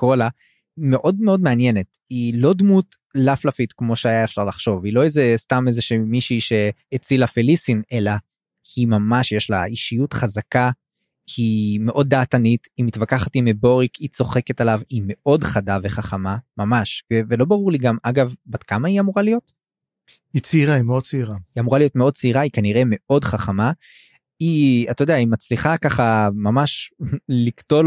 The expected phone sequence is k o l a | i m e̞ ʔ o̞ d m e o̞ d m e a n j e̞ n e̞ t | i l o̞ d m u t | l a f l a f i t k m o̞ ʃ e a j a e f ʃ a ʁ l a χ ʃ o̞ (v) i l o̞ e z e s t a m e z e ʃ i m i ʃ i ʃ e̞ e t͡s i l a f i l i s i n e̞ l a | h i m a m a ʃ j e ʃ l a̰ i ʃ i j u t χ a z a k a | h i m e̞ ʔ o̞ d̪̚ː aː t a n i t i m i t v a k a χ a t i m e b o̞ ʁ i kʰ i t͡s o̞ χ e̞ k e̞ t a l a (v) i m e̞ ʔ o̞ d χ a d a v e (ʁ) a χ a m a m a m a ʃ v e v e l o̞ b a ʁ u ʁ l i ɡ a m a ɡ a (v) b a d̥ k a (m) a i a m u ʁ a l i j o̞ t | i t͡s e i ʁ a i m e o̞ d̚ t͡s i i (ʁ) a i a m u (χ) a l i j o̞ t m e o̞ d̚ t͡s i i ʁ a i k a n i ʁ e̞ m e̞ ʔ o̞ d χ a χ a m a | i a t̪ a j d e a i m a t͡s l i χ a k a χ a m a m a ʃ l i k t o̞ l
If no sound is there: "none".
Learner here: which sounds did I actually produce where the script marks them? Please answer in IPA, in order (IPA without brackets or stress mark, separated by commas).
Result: v, v, χ, v, m, ʁ, ʁ